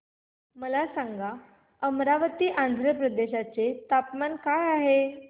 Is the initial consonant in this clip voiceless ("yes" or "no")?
no